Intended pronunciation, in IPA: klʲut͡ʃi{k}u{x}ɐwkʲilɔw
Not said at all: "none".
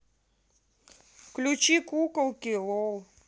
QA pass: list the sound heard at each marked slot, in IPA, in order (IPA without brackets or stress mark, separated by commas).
k, k